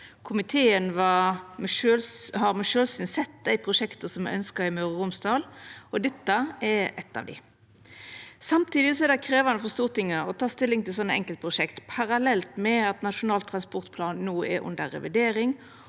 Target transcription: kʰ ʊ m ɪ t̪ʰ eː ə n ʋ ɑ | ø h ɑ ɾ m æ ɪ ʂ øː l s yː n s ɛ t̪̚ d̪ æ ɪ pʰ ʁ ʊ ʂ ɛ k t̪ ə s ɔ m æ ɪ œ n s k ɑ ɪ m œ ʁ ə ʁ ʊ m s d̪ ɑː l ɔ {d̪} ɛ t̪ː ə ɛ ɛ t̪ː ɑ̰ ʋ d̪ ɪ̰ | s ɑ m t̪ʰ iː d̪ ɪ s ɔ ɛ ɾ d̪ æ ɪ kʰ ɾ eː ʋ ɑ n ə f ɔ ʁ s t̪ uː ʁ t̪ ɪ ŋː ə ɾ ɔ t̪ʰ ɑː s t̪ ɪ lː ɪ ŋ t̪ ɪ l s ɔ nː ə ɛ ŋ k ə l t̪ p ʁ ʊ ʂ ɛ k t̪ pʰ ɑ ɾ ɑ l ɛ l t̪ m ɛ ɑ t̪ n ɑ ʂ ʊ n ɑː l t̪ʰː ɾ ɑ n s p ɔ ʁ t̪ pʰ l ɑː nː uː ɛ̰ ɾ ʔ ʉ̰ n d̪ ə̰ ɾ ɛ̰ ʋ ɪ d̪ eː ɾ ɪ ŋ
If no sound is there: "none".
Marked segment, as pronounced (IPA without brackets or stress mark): d̪